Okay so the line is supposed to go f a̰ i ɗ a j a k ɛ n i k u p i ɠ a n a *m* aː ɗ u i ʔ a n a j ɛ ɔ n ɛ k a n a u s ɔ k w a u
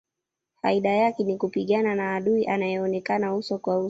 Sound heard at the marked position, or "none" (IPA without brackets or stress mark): n